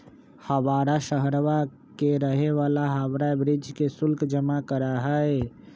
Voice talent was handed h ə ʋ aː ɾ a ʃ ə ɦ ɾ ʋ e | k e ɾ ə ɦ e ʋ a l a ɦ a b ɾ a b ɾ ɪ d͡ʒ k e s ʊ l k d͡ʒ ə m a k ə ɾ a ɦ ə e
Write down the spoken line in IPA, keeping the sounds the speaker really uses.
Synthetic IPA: h ə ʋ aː ɾ a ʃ ə ɦ ɾ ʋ a | k e ɾ ə ɦ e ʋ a l a ɦ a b ɾ a b ɾ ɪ d͡ʒ k e s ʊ l k d͡ʒ ə m a k ə ɾ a ɦ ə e